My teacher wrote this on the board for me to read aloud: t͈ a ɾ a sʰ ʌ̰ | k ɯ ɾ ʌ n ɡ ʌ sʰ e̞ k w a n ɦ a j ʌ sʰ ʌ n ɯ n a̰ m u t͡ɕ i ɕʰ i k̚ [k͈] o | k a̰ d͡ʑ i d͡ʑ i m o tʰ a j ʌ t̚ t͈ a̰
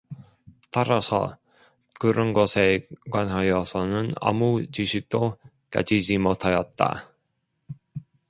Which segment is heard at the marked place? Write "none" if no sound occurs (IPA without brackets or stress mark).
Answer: t͈